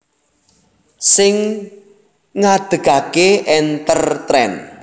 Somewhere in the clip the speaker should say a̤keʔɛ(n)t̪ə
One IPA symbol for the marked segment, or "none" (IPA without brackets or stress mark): n